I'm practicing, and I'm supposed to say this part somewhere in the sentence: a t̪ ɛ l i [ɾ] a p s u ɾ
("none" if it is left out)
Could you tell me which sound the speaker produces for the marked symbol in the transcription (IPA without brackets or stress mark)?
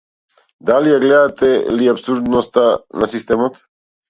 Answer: none